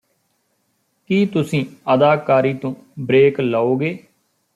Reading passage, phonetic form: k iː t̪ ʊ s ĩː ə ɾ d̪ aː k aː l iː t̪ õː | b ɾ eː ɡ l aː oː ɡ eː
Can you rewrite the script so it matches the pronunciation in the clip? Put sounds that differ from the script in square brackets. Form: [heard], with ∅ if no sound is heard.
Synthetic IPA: k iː t̪ ʊ s ĩː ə [∅] d̪ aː k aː [ɾ] iː t̪ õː | b ɾ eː [k] l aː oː ɡ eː